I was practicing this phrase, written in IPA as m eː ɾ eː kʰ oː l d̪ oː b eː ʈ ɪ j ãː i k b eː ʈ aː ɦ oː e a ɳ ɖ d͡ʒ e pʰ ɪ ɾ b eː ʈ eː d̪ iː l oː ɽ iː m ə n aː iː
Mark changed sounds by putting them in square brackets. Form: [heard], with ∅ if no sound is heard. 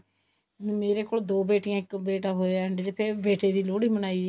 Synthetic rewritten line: m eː ɾ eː [k] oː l d̪ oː b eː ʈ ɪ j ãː [ɪ] k b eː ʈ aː ɦ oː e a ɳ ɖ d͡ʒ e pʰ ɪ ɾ b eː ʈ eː d̪ iː l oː ɽ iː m ə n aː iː